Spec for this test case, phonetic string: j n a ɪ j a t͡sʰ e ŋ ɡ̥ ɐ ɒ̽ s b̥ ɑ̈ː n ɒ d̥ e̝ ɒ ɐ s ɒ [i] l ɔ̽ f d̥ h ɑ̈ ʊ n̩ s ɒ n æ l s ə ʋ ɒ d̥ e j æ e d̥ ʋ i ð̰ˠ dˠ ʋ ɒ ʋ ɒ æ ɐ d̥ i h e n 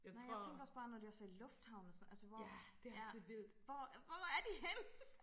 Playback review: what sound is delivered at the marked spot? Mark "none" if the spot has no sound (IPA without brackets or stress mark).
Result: i